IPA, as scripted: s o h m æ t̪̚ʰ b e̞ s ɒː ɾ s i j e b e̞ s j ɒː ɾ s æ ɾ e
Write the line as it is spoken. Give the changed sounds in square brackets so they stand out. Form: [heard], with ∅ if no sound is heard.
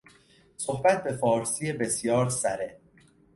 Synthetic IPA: s o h [b] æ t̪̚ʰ b e̞ [f] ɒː ɾ s i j e b e̞ s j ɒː ɾ s æ ɾ e